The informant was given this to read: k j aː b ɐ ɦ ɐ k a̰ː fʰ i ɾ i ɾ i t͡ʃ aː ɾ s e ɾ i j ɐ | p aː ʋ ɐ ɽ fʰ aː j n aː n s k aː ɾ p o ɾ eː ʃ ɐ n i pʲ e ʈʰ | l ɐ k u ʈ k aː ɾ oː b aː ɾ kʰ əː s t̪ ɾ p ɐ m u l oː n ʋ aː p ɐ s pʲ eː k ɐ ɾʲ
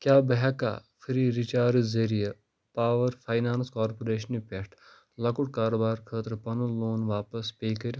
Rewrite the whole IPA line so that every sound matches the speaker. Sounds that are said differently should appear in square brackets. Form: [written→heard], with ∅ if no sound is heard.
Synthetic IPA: k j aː b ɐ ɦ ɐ k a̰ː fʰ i ɾ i ɾ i t͡ʃ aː ɾ [s→z] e ɾ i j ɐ | p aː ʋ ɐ [ɽ→ɾ] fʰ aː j n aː n s k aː ɾ p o ɾ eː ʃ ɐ n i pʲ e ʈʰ | l ɐ k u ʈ k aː ɾ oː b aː ɾ kʰ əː [s→∅] t̪ ɾ p ɐ [m→n] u l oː n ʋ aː p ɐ s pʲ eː k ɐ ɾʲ